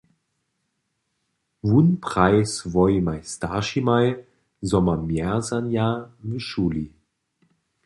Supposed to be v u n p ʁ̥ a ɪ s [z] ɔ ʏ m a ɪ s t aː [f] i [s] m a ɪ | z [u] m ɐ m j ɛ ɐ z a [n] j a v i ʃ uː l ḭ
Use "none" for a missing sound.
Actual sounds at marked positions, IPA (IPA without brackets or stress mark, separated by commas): v, ʃ, none, ɔ, n